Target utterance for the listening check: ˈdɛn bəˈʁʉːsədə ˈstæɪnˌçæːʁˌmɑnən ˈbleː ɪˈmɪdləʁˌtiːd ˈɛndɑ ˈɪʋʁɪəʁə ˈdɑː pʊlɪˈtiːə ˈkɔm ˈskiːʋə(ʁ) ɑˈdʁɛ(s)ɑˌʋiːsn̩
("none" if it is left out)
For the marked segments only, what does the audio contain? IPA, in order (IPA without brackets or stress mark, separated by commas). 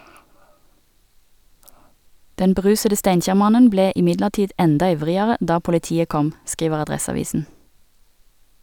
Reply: ʁ, s